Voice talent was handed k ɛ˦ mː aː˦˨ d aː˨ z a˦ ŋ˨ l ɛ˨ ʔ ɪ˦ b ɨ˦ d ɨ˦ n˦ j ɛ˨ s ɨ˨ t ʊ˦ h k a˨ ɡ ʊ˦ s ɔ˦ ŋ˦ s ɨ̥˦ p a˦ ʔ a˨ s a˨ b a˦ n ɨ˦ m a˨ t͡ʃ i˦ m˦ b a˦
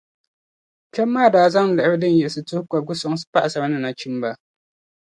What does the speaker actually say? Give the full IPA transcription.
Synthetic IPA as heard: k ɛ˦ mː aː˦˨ d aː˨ z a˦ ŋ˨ l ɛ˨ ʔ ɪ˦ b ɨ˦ d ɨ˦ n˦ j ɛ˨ s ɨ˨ t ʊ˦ h k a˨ ɡ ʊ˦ s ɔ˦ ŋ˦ s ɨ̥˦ p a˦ ʔ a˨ s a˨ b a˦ n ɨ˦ n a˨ t͡ʃ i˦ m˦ b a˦

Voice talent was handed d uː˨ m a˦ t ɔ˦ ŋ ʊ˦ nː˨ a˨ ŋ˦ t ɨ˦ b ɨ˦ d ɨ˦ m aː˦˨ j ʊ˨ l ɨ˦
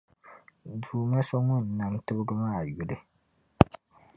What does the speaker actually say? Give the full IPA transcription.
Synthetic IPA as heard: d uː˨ m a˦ s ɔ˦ ŋ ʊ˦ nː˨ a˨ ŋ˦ t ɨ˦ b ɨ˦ ɡ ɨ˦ m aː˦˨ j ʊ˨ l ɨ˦

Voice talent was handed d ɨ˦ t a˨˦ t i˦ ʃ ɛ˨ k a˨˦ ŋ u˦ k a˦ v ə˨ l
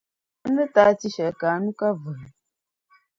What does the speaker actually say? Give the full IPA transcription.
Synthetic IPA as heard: n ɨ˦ t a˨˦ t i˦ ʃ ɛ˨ k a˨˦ n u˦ k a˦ v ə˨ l

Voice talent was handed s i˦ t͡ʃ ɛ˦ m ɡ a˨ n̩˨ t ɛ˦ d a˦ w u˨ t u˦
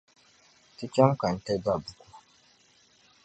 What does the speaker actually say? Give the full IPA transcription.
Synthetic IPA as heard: t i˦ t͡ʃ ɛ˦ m k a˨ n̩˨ t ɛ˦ d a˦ b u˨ k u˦

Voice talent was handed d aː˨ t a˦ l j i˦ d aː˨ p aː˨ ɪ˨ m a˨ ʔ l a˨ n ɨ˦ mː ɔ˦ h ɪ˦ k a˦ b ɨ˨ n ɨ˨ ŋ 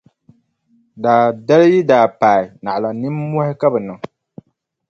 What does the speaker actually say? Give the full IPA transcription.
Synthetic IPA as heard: d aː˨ d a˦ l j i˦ d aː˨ p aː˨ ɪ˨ n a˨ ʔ l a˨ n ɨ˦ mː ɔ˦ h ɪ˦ k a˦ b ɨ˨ n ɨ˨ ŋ

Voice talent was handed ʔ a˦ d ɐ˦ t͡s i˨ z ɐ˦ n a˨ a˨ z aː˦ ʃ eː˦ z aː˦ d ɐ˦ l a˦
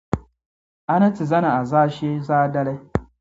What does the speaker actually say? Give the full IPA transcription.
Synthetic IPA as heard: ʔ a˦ n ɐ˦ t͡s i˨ z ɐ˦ n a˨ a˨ z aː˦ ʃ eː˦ z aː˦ d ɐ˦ l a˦

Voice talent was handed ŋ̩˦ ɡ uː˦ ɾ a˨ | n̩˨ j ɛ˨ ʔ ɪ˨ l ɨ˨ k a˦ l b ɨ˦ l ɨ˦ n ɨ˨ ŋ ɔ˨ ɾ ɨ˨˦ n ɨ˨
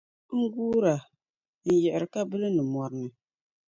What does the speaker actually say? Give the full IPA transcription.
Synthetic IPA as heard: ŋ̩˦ ɡ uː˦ ɾ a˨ | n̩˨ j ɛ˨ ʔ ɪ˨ ɾ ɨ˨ k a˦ b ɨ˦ l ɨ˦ n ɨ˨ m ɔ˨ ɾ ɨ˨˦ n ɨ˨

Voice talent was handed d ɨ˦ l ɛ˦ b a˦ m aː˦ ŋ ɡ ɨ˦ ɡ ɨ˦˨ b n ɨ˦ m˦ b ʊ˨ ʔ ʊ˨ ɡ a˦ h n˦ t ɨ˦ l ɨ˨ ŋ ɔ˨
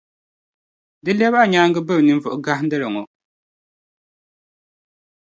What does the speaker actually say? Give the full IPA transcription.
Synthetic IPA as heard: d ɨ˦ l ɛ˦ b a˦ ɲ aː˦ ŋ ɡ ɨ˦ b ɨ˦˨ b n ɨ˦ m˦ v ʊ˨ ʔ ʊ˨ ɡ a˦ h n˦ d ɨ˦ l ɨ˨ ŋ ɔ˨

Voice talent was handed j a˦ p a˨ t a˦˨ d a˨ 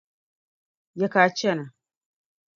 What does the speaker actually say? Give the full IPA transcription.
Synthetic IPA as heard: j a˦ k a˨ t͡ʃ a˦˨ n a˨

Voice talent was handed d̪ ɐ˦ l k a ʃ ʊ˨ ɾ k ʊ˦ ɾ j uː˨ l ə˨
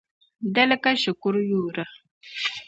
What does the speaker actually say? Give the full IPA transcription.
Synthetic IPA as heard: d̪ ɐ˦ l k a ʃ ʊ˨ k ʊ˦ ɾ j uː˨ ɾ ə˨

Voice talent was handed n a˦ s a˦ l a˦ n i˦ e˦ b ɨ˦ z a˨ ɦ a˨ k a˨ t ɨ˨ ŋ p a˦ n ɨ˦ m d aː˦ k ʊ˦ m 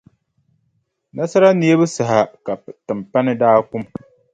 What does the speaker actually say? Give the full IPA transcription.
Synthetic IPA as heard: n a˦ s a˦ ɾ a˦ n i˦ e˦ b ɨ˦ s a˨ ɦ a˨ k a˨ t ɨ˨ m p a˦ n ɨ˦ d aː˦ k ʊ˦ m

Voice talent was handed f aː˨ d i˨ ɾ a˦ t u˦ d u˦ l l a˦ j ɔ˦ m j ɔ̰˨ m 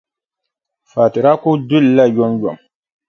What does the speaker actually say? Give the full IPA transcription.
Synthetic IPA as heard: f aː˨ t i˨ ɾ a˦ k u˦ d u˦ l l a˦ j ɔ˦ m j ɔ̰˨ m

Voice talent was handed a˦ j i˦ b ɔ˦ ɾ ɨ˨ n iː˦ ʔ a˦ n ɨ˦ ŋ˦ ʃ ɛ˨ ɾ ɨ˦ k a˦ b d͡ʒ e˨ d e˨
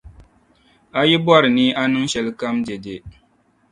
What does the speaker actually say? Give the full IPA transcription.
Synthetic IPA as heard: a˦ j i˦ b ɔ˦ ɾ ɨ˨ n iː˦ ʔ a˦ n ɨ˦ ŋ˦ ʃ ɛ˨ l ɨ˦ k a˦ m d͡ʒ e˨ d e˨

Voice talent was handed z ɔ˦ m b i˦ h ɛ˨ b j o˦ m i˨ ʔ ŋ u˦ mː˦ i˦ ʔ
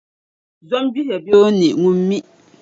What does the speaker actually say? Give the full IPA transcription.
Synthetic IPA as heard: z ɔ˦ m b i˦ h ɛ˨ b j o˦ n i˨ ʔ ŋ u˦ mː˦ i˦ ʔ

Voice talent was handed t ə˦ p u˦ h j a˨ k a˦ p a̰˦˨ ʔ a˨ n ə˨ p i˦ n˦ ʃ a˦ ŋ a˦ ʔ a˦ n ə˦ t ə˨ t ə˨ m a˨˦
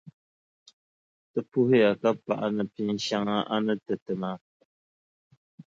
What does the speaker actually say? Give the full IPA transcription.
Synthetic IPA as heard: t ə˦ p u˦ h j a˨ k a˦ p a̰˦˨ ʔ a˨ n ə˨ p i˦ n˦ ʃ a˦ ŋ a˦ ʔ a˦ n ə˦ t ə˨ t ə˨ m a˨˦

